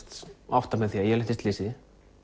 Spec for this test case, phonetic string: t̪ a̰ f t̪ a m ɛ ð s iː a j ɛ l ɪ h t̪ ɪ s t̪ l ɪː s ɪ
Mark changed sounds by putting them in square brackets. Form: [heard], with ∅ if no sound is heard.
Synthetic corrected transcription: t̪ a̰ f t̪ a m ɛ ð [θ] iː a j ɛ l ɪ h t̪ ɪ s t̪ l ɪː s ɪ

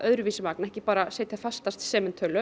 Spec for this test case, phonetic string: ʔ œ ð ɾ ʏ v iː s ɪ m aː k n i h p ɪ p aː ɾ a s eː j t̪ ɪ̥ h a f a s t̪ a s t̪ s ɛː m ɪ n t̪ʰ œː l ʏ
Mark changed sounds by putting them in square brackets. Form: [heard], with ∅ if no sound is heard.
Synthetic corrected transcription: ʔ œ ð ɾ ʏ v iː s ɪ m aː k n [ɛ] h [c] ɪ p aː ɾ a s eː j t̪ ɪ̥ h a f a s t̪ a s t̪ s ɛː m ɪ n t̪ʰ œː l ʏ

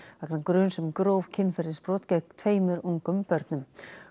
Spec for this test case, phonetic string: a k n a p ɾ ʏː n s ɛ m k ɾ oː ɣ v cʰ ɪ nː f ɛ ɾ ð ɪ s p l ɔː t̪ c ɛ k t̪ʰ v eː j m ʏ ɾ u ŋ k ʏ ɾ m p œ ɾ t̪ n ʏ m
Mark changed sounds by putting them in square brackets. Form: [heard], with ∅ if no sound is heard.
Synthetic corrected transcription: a k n a [k] ɾ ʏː n s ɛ m k ɾ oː [w] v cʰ ɪ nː f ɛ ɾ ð ɪ s p [ɾ] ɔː t̪ c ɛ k t̪ʰ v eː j m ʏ ɾ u ŋ k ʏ [∅] m p œ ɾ t̪ n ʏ m

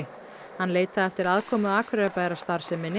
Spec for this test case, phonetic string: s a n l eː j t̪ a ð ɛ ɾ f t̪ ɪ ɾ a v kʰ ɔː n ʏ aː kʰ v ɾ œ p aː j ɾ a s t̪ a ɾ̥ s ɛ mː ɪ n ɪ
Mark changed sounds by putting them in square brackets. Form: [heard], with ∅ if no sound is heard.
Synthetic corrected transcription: [h] a n l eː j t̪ a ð ɛ [∅] f t̪ ɪ ɾ a [ð] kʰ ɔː [m] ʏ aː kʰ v ɾ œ p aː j ɾ a s t̪ a ɾ̥ s ɛ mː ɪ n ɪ

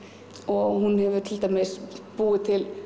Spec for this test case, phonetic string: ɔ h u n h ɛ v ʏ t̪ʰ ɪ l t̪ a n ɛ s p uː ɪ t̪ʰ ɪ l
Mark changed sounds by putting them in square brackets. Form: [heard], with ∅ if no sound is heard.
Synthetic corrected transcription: ɔ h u n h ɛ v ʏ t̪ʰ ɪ l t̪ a [m] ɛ s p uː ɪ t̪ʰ ɪ l

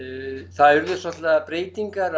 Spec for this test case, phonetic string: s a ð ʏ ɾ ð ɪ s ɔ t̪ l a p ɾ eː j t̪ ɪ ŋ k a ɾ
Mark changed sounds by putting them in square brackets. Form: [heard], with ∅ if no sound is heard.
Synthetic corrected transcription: [θ] a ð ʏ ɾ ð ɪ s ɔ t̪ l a p ɾ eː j t̪ [i] ŋ k a ɾ

